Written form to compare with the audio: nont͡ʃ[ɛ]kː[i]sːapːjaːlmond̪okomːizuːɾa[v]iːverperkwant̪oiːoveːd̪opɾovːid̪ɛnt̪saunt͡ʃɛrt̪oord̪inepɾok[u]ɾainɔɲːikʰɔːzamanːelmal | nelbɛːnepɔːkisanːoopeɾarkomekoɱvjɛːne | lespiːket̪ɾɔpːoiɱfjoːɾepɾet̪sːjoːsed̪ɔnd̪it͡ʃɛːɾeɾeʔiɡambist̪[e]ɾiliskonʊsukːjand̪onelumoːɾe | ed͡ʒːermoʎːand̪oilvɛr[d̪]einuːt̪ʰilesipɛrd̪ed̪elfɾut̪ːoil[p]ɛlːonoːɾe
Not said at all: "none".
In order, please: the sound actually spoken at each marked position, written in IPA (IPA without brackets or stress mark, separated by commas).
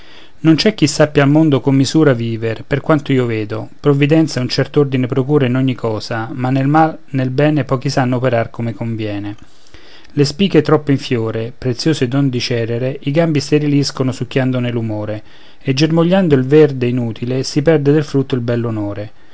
ɛ, i, v, uː, e, d̪, b